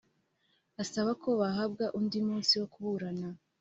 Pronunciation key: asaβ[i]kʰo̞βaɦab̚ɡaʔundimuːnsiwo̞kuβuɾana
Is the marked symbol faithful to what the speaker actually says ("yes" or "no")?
no